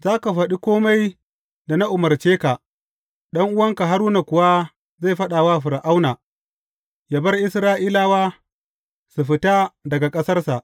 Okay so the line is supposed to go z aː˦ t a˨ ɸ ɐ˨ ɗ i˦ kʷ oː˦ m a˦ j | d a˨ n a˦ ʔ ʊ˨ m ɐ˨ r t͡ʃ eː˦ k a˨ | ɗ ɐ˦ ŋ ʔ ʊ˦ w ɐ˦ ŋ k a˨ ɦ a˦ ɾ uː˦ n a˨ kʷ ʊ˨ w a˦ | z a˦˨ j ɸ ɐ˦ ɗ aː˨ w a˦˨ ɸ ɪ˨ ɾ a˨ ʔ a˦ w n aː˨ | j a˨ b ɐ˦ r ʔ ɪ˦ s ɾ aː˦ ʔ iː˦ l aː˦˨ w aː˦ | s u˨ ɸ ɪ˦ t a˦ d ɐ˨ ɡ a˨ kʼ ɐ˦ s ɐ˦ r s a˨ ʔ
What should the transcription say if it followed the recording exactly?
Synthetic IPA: z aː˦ k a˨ ɸ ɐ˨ ɗ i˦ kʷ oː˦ m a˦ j | d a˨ n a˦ ʔ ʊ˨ m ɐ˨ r t͡ʃ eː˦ k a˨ | ɗ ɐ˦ ŋ ʔ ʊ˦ w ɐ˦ ŋ k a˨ ɦ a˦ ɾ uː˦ n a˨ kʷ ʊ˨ w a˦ | z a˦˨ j ɸ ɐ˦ ɗ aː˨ w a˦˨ ɸ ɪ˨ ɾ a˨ ʔ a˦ w n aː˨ | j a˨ b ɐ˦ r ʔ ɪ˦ s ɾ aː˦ ʔ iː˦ l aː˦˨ w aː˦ | s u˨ ɸ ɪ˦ t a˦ d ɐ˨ ɡ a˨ kʼ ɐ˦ s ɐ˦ r s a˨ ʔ